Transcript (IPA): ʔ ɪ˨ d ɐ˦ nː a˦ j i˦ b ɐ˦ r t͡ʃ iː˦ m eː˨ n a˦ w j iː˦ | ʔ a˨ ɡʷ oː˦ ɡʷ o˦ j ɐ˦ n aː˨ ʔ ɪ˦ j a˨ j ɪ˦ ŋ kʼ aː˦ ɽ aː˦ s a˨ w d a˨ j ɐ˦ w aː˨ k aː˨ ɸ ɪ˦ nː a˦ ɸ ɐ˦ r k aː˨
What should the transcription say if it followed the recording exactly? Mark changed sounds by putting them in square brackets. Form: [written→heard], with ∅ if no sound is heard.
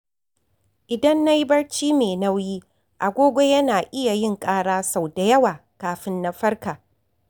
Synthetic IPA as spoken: ʔ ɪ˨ d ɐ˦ nː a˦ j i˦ b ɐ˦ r t͡ʃ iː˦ m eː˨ n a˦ w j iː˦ | ʔ a˨ ɡʷ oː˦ ɡʷ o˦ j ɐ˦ n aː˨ ʔ ɪ˦ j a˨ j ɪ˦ ŋ kʼ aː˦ ɽ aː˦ s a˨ w d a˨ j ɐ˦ w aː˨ k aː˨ ɸ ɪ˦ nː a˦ ɸ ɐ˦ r k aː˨